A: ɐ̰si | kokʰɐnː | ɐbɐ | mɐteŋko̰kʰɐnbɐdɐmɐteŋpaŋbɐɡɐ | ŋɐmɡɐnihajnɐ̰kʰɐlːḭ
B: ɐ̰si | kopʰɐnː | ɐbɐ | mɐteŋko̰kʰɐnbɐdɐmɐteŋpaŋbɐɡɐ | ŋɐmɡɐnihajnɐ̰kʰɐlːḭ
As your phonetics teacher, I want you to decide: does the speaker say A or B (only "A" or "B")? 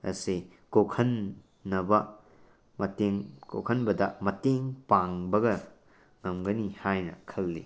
A